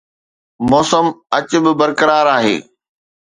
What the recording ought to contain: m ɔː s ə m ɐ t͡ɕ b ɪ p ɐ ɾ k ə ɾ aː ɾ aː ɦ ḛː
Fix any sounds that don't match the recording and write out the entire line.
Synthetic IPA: m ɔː s ə m ɐ t͡ɕ b ɪ b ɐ ɾ k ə ɾ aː ɾ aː ɦ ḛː